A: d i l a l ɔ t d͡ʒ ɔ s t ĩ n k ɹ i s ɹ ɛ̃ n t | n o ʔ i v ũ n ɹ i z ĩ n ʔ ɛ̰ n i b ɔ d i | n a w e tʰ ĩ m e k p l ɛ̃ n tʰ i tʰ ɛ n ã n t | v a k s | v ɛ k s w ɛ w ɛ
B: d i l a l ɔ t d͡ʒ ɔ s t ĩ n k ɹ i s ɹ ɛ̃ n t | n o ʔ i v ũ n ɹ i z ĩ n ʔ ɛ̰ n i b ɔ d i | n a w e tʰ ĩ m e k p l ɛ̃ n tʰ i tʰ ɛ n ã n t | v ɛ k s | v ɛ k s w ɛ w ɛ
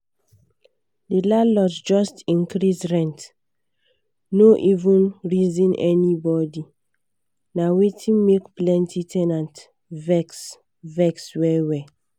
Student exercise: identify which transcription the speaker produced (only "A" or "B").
B